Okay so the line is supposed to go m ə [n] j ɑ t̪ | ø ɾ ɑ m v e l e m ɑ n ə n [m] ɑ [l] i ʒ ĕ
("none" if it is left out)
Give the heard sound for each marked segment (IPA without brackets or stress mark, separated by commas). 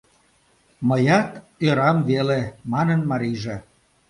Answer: none, m, ɾ